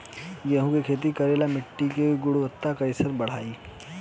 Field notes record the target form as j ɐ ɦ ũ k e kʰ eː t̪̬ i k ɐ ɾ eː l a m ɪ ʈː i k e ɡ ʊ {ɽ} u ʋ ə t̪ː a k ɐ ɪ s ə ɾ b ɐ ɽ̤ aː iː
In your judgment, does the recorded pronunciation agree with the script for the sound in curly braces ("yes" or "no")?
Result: yes